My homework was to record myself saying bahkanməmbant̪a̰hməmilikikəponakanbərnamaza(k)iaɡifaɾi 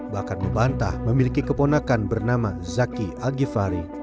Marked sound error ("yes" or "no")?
no